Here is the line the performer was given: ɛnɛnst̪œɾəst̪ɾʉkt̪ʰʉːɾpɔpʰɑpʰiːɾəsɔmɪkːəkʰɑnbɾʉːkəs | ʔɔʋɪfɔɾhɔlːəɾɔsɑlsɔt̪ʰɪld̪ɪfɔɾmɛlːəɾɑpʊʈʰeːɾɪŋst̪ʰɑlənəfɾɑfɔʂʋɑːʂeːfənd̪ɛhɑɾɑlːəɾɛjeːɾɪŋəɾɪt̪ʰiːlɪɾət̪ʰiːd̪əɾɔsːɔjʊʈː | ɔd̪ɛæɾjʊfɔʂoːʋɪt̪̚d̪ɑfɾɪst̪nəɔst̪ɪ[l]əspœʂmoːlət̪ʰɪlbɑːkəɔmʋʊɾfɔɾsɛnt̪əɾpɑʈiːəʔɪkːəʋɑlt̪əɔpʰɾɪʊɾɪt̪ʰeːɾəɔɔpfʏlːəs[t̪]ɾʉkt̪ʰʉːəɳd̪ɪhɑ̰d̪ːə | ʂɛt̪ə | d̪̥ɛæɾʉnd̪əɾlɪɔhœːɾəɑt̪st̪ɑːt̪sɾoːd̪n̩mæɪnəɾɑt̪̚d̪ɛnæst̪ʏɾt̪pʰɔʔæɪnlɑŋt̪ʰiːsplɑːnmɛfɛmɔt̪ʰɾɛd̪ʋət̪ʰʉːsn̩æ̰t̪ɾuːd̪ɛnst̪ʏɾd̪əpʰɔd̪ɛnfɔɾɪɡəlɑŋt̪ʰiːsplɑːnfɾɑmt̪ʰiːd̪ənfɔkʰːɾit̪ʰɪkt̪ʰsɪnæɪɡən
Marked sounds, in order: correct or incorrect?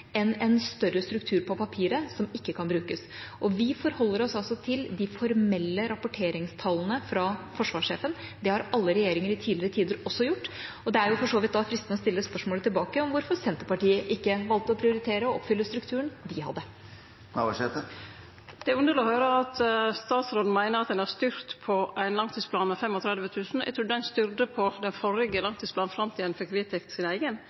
incorrect: lː, correct

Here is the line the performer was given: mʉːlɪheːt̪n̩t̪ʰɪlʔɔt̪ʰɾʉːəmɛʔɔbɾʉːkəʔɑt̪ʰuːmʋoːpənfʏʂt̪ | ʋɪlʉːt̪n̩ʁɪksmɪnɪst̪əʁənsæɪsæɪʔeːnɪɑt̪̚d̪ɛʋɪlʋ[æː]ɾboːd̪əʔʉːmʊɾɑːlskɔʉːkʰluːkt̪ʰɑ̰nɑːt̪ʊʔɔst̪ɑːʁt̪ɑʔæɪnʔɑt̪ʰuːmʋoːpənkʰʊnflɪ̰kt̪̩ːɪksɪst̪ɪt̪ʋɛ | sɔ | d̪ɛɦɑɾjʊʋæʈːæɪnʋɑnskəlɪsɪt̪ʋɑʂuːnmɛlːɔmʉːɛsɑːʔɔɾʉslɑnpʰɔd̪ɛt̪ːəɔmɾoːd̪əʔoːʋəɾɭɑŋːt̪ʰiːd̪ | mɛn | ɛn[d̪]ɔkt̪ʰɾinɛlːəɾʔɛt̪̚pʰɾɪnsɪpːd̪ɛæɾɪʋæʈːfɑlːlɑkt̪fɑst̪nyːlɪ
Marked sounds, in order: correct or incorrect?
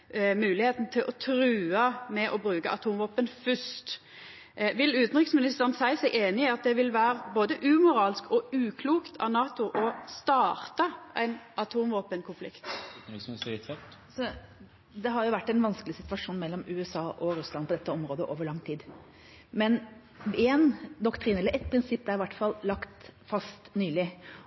correct, correct

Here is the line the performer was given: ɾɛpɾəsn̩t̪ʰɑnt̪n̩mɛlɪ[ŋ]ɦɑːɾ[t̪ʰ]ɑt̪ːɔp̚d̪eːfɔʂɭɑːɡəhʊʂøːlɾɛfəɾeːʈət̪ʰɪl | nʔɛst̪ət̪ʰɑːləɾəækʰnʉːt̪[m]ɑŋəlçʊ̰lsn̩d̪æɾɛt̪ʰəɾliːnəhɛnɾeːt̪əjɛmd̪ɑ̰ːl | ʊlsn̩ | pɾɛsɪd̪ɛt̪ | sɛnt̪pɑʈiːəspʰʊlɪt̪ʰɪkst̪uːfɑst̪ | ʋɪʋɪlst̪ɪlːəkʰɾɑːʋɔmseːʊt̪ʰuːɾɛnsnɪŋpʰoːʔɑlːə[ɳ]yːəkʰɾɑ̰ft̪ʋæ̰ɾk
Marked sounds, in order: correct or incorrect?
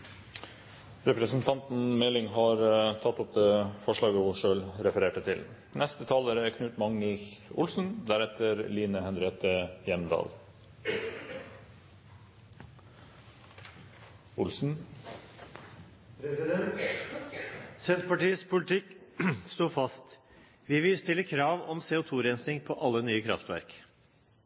correct, correct, correct, incorrect: n

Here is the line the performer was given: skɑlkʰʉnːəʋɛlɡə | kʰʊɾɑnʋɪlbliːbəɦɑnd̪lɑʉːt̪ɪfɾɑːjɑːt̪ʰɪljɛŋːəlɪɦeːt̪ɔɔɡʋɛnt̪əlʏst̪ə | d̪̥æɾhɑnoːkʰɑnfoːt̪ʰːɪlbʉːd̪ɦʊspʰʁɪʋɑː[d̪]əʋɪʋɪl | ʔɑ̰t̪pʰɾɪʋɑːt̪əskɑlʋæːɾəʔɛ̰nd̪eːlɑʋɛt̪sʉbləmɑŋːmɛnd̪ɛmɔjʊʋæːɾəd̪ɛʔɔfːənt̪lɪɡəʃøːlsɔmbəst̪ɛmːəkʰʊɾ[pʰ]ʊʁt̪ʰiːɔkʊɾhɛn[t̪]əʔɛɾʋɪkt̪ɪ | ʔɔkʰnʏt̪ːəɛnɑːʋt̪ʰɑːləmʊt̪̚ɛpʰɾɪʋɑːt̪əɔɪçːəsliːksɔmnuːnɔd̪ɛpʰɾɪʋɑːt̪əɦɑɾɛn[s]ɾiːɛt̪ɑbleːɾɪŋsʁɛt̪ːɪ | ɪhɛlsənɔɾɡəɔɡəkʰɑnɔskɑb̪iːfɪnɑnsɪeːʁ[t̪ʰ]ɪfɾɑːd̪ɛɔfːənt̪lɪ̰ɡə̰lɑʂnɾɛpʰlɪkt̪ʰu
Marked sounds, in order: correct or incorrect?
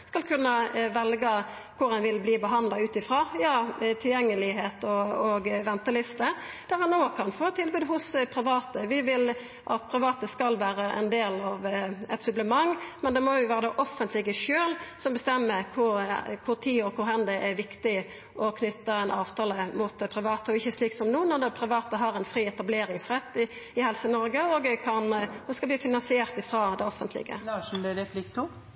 incorrect: t̪, incorrect: kʰ, incorrect: d̪, incorrect: f, incorrect: t̪

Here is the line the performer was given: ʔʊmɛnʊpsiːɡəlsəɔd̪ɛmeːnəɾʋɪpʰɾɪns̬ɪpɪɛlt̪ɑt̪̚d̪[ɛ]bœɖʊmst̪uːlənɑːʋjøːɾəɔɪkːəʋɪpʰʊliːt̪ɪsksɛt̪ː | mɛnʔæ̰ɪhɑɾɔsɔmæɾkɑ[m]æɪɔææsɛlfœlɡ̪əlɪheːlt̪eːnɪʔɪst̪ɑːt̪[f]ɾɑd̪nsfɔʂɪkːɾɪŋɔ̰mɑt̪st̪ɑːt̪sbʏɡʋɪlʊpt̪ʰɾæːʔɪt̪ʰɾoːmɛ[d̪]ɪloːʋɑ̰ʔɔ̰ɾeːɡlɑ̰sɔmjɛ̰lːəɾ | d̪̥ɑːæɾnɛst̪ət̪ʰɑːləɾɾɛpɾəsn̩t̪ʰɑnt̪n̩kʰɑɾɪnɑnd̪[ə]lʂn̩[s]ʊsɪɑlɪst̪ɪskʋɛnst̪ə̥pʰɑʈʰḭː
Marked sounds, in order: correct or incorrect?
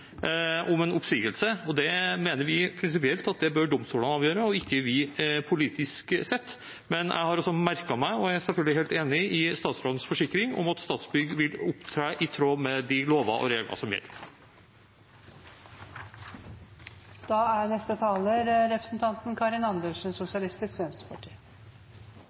correct, correct, incorrect: s, correct, correct, correct

